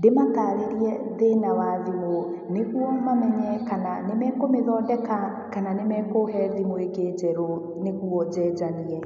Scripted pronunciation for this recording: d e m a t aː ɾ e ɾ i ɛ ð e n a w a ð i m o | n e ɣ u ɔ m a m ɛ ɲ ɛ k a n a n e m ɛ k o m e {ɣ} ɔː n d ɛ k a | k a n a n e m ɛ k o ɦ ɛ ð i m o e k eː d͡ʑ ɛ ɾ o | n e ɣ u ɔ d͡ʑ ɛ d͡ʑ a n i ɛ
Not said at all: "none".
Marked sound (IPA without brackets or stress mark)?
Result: ð